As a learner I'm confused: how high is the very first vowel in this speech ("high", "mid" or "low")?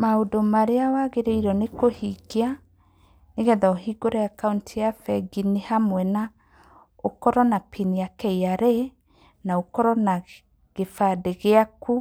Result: low